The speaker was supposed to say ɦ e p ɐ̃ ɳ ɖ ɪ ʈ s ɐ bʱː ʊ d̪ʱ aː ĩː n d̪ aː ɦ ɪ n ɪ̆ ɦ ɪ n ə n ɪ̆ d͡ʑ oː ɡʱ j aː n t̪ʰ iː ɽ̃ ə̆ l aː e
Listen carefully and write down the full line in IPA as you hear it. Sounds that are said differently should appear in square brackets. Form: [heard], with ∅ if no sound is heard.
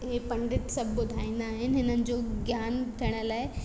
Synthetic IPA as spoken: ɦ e p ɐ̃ ɳ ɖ ɪ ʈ s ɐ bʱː ʊ d̪ʱ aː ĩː n d̪ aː ɦ ɪ n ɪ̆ ɦ ɪ n ə n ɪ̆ d͡ʑ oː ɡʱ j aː n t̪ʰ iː ɽ̃ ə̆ l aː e